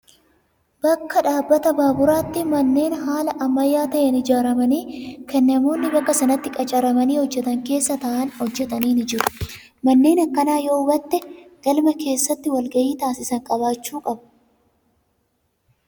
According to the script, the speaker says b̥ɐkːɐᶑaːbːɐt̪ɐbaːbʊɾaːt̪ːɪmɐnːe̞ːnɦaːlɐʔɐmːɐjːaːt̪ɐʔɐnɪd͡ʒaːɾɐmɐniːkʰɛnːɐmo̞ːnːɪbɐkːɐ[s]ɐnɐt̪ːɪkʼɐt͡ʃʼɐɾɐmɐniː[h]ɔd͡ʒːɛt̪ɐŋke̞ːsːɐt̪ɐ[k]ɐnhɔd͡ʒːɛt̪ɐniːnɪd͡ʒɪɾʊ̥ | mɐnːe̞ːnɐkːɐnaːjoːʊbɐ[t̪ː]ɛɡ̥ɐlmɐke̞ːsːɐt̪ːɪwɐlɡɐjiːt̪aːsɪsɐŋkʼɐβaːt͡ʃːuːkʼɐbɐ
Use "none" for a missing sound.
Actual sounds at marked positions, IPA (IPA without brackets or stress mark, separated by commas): s, h, ʔ, t̪ː